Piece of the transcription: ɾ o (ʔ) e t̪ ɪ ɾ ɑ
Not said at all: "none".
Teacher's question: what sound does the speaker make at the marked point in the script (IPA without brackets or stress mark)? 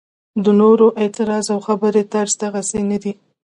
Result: ʔ